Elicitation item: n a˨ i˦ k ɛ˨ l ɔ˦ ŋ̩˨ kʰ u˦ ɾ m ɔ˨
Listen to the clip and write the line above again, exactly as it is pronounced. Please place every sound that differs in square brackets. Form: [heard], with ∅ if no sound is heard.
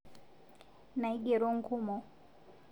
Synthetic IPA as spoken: n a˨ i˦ [ɡ] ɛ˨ [ɾ] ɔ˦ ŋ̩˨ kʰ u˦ [∅] m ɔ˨

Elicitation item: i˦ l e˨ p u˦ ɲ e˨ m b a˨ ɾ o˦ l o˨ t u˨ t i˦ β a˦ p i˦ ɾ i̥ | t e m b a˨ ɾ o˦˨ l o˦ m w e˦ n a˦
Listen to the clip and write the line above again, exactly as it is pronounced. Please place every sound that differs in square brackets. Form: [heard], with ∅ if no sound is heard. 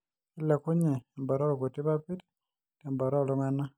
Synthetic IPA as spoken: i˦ l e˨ [k] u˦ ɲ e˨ m b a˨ ɾ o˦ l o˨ [k] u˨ t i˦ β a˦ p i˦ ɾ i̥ | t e m b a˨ ɾ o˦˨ l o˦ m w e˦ n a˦

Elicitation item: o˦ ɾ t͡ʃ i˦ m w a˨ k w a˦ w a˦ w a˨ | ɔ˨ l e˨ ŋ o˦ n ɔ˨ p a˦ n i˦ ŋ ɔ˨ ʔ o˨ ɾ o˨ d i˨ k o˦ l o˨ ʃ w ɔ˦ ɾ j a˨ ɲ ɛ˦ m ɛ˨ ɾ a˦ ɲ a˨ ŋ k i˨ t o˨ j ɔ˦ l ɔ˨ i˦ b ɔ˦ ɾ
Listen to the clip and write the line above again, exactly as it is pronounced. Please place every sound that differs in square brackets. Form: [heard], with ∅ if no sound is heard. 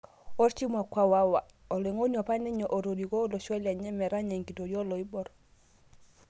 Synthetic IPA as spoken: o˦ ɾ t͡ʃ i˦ m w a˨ k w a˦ w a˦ w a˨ | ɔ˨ l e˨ ŋ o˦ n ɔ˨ p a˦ n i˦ [ɲ] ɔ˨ ʔ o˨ ɾ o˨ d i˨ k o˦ l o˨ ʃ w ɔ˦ [l] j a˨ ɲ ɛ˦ m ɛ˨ ɾ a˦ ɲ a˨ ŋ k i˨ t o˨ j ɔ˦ l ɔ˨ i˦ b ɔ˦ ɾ

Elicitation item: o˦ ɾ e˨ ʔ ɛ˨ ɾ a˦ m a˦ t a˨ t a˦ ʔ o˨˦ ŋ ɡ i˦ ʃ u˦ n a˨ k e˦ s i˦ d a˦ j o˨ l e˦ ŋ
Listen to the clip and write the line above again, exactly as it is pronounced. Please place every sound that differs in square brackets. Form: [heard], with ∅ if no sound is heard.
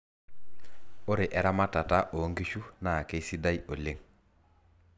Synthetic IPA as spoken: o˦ ɾ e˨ ʔ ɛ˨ ɾ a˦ m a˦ t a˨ t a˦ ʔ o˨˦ ŋ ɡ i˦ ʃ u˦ n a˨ k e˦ s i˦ d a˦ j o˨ l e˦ ŋ

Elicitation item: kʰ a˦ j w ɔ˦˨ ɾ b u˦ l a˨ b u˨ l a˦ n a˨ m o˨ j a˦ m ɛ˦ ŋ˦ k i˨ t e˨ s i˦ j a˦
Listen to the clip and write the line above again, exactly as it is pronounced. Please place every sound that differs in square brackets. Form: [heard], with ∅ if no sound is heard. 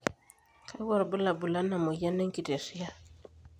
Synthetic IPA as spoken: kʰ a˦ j w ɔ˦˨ ɾ b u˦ l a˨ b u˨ l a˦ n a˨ m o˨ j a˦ [n] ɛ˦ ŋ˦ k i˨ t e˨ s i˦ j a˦

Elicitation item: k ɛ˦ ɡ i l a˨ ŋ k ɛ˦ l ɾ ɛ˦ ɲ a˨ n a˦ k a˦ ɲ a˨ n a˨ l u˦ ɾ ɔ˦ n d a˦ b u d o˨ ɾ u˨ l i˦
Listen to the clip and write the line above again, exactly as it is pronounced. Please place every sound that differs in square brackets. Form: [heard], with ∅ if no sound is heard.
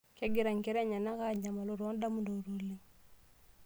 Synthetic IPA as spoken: k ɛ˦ ɡ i [ɾ] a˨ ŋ k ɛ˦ [∅] ɾ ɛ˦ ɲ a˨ n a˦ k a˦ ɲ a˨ [m] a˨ l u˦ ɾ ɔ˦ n d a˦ [m] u d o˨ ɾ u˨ l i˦

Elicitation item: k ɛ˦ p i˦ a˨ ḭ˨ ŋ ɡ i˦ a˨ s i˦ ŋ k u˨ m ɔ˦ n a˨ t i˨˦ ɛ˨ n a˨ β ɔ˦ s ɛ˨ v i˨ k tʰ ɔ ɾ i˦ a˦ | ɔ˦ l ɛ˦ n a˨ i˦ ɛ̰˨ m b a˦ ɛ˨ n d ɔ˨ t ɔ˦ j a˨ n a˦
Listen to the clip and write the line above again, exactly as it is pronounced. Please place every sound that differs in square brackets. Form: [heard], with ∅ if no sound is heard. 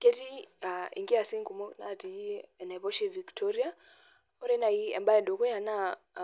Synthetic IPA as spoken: k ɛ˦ [t] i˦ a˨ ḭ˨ ŋ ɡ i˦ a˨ s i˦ ŋ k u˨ m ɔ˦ n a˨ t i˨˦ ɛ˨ n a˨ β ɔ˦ [ʃ] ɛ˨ v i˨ k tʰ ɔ ɾ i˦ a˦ | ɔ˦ [ɾ] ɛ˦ n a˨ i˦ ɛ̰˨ m b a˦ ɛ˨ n d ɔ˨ [k] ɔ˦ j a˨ n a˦

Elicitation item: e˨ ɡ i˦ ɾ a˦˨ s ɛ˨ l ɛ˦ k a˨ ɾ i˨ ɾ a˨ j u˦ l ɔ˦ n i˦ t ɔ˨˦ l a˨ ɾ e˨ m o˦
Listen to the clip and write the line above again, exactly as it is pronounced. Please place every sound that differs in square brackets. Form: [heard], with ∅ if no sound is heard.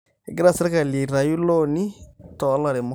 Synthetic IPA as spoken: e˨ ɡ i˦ ɾ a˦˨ s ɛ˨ [ɾ] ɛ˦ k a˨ [l] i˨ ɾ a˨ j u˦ l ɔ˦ n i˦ t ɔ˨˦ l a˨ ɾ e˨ m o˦

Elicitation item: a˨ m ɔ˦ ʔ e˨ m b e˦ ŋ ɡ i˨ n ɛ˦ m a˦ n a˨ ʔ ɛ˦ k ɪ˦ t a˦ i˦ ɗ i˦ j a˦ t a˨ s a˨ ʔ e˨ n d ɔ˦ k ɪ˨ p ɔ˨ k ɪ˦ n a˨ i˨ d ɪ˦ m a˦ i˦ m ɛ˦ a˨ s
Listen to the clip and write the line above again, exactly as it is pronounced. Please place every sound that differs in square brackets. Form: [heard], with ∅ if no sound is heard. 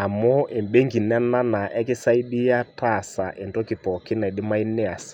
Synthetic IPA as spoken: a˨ m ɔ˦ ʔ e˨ m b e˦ ŋ ɡ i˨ n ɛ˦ [n] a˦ n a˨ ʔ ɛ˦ k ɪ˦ [s] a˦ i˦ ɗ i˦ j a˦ t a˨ s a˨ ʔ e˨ n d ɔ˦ k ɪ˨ p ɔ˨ k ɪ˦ n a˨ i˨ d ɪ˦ m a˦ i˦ [n] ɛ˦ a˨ s

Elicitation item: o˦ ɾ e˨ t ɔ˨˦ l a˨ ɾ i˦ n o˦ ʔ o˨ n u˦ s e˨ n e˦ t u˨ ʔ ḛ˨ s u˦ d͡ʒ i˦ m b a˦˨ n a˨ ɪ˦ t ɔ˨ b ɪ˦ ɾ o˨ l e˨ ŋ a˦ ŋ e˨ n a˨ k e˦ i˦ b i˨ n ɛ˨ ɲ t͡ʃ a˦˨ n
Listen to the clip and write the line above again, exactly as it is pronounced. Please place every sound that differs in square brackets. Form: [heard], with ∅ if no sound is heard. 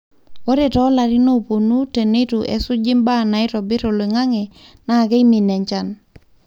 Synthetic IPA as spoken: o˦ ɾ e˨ t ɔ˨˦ l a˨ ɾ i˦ n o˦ [p] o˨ n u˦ [t] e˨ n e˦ t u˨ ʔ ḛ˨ s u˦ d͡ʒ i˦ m b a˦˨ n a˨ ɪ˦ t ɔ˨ b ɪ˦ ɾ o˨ l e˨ ŋ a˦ ŋ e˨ n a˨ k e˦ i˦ [m] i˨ n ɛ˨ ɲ t͡ʃ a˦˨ n

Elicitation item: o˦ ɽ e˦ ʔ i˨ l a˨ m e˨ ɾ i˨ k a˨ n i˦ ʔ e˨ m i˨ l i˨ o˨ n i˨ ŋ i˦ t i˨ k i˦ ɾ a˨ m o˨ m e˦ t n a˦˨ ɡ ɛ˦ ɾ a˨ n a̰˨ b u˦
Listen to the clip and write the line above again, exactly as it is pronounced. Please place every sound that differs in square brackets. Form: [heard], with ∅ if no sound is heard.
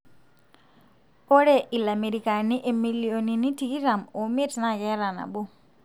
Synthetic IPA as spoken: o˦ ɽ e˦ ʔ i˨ l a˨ m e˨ ɾ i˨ k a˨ n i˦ ʔ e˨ m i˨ l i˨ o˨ n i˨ [n] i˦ t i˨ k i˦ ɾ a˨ m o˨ m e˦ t n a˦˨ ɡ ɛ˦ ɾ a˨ n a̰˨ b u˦

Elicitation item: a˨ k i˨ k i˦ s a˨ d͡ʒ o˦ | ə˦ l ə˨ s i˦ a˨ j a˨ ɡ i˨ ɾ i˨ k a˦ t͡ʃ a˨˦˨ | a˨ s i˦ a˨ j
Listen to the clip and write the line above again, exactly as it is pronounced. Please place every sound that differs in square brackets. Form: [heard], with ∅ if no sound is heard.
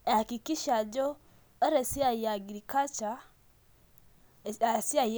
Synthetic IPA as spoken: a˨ k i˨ k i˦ [ʃ] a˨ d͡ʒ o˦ | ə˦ [ɾ] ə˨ s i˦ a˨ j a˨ ɡ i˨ ɾ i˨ k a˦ t͡ʃ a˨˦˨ | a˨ s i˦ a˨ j

